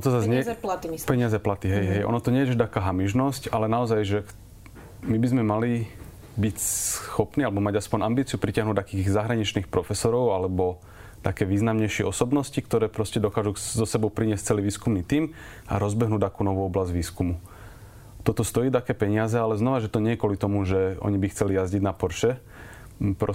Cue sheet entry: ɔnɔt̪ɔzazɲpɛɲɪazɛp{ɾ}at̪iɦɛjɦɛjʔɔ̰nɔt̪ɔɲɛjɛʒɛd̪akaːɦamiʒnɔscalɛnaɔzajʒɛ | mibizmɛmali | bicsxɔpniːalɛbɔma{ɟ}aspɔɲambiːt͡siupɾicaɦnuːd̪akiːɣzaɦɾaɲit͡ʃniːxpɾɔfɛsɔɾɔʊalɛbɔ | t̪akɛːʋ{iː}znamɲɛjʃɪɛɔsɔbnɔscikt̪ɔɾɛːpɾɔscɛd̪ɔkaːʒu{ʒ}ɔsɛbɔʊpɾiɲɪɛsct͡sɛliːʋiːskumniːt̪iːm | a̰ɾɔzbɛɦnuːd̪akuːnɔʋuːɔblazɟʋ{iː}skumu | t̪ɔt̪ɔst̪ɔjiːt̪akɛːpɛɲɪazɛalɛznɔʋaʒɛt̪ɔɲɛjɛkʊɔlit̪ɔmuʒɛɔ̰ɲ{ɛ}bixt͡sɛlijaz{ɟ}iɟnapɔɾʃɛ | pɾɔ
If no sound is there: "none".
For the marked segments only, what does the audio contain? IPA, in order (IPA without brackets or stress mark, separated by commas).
l, ɟ, iː, z, iː, i, ɟ